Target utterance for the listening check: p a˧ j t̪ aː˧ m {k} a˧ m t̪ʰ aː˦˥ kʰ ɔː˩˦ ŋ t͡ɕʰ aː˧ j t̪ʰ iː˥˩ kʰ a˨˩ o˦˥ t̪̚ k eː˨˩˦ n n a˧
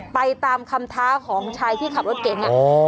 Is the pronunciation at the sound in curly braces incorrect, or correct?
incorrect: kʰ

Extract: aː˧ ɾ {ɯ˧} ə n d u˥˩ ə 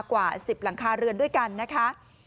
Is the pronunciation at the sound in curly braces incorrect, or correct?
correct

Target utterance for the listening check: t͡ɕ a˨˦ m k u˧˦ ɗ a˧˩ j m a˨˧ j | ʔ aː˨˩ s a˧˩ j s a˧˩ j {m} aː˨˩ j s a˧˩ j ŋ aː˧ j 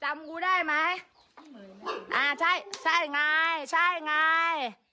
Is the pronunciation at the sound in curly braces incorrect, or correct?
incorrect: ŋ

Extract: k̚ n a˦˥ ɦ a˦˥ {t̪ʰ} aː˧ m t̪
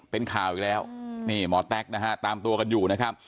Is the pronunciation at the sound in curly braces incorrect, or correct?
incorrect: t̪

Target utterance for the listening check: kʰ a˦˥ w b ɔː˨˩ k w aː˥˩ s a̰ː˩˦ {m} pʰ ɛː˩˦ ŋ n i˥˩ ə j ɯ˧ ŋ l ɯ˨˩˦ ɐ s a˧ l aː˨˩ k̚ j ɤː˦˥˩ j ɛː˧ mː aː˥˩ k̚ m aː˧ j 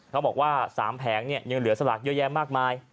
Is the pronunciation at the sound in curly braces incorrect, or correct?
correct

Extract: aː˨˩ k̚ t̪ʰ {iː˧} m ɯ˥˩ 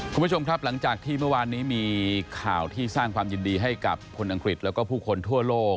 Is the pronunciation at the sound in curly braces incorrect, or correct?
incorrect: iː˥˩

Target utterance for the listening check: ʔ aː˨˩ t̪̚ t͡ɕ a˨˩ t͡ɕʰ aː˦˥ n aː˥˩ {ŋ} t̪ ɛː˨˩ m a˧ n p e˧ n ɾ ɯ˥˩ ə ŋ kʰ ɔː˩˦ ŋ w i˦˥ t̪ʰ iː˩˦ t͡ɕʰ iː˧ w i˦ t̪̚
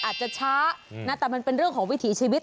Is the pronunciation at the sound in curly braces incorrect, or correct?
incorrect: none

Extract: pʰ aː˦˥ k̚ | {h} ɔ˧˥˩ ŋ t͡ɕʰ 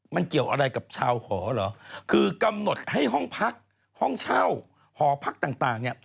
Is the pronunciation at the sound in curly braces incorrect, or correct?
correct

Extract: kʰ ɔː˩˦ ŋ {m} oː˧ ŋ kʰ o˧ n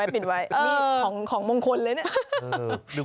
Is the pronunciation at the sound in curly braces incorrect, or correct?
correct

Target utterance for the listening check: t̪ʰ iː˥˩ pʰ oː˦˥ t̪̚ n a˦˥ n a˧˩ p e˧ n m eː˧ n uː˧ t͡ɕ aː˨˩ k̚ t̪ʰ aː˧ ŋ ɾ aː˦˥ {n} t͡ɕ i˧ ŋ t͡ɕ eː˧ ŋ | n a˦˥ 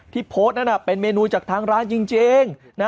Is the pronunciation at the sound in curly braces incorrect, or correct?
correct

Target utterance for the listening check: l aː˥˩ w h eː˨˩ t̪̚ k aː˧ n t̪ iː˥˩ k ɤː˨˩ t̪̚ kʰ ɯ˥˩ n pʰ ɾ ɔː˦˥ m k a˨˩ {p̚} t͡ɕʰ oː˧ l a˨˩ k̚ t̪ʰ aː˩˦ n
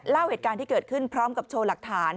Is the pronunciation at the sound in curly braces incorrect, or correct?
correct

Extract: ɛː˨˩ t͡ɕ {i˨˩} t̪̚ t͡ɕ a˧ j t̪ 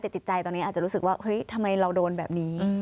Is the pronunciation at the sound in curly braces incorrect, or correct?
correct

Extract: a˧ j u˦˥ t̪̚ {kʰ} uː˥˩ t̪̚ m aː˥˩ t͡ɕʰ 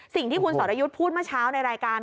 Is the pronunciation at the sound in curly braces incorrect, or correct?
incorrect: pʰ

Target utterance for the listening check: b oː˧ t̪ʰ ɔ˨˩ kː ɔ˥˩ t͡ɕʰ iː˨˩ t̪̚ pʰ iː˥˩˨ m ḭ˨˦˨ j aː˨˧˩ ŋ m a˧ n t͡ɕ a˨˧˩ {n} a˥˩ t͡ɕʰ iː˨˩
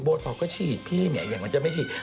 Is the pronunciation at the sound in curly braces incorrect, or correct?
incorrect: m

